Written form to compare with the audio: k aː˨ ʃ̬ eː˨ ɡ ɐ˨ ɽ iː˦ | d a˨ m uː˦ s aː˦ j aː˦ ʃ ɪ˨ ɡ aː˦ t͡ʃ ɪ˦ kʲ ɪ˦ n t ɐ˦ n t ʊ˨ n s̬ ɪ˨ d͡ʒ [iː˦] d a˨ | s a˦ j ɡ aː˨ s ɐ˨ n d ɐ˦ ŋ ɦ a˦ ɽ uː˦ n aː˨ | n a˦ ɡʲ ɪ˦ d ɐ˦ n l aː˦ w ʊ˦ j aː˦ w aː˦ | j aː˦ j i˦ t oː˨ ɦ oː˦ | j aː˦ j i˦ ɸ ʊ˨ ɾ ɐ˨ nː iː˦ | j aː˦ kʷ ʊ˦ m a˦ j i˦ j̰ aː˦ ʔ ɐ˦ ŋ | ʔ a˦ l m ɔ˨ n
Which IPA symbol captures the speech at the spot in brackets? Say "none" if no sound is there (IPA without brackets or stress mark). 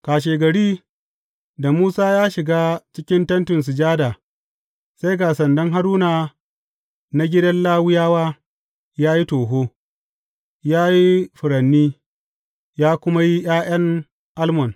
aː˦